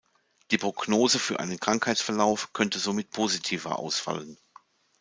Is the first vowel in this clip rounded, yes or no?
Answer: no